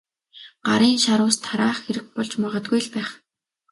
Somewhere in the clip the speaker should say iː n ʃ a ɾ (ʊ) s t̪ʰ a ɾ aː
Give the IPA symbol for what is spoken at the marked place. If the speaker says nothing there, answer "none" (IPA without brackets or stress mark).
ʊː